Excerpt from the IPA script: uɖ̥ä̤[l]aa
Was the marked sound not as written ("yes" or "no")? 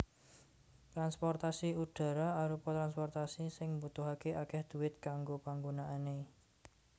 yes